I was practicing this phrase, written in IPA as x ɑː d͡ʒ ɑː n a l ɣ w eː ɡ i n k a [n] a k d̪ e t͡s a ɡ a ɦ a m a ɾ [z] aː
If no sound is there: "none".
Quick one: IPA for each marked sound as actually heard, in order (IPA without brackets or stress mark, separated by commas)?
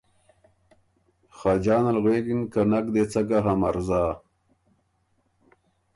n, z